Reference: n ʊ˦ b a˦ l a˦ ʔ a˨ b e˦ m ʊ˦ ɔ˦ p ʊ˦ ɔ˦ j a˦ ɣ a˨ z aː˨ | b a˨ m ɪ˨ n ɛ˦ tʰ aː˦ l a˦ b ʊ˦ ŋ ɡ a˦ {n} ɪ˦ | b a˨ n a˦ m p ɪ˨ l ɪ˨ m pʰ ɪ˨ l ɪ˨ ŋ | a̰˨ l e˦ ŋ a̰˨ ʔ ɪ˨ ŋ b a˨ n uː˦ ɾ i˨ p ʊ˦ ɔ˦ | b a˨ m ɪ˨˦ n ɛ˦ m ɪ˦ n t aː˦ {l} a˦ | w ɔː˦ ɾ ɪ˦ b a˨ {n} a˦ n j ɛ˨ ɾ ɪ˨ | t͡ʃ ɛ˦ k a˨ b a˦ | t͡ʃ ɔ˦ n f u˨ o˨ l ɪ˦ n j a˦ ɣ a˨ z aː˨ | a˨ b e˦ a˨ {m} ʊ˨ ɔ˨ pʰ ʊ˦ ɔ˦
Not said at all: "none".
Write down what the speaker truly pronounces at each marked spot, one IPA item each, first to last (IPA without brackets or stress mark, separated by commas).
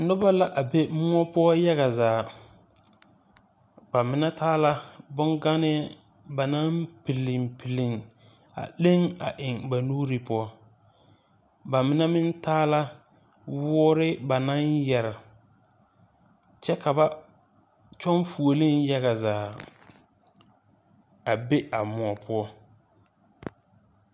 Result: n, l, n, m